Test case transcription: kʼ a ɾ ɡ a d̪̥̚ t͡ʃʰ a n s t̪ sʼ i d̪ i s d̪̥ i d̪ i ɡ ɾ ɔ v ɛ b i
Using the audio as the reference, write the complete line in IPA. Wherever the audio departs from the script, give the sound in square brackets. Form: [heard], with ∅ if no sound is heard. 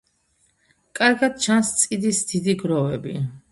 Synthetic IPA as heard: kʼ a ɾ ɡ a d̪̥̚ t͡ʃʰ a n s t̪ sʼ i d̪ i s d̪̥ i d̪ i ɡ ɾ ɔ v ɛ b i